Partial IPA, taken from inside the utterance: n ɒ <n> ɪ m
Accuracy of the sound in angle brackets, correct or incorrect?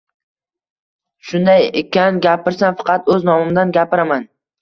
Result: incorrect